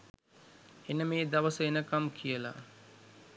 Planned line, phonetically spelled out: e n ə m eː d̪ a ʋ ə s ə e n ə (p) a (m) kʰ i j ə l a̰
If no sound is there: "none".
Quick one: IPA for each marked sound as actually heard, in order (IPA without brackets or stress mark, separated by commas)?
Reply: k, m